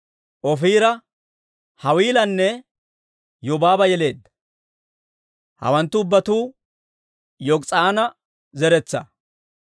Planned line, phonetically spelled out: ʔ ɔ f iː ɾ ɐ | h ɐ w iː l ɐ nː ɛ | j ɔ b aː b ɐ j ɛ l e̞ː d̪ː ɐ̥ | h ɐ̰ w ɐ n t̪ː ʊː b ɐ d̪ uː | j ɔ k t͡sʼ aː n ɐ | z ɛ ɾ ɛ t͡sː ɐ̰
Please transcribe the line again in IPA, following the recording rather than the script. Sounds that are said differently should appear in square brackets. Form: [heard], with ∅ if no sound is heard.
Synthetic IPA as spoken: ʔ ɔ f iː ɾ ɐ | h ɐ w iː l ɐ nː ɛ | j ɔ b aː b ɐ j ɛ l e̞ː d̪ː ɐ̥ | h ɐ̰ w ɐ n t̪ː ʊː [bː] ɐ [t̪] uː | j ɔ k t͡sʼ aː n ɐ | z ɛ ɾ ɛ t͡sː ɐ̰